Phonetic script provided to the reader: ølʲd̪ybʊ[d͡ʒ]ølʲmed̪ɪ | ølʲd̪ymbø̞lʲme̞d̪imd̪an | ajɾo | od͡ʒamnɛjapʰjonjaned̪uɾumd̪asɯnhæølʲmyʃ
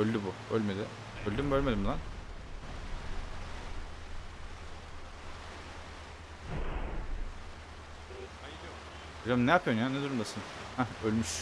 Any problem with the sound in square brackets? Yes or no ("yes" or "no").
yes